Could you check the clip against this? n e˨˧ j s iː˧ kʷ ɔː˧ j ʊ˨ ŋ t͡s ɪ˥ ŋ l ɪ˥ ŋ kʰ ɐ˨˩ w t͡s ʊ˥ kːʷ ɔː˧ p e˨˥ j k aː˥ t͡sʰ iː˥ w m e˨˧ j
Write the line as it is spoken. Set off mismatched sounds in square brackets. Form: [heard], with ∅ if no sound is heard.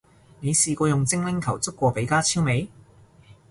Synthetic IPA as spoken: n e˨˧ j s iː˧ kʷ ɔː˧ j ʊ˨ ŋ t͡s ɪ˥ ŋ l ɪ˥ ŋ kʰ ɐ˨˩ w t͡s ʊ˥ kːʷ ɔː˧ p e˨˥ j k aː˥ t͡sʰ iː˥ w m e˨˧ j